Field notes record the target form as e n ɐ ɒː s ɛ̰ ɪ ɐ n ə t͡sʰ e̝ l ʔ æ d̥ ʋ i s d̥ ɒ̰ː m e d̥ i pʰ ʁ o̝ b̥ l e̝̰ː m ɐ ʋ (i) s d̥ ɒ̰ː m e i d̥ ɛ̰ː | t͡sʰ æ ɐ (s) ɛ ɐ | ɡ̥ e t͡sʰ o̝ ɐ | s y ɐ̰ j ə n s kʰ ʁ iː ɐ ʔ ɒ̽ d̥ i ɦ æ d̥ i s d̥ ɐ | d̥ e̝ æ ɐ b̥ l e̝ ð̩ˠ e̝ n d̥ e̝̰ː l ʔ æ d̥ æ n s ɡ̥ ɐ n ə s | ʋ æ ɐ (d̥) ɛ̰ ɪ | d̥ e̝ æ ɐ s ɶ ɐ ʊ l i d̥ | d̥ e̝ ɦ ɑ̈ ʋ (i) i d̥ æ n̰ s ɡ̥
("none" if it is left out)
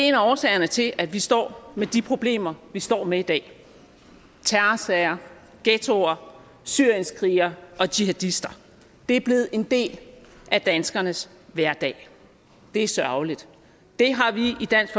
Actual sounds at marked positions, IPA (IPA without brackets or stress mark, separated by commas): i, s, d̥, i